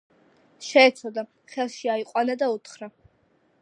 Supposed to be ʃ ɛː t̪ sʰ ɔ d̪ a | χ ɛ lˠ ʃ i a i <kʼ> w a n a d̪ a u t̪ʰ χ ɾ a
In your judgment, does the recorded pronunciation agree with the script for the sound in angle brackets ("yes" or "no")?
no